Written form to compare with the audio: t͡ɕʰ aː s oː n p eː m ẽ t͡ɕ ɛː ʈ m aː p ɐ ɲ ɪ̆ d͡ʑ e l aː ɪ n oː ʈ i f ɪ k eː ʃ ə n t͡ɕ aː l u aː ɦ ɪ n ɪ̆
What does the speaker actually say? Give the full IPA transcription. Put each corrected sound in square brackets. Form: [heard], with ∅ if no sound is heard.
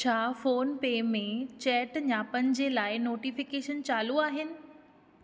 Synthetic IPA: t͡ɕʰ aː [f] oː n p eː m ẽ t͡ɕ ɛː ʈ [ɲ] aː p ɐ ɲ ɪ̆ d͡ʑ e l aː ɪ n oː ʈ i f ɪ k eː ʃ ə n t͡ɕ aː l u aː ɦ ɪ n ɪ̆

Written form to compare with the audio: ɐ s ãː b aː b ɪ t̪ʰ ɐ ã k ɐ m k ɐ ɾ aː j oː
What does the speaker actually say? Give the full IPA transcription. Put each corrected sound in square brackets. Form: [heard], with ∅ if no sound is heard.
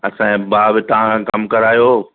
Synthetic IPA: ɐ s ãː b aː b ɪ [t̪] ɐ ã k ɐ m k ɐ ɾ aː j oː

